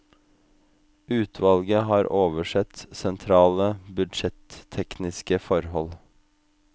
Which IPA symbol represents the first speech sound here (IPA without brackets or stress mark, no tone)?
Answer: ʉː